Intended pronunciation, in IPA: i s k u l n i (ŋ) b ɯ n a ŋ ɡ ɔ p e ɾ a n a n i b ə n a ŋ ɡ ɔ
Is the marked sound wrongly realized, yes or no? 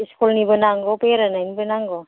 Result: yes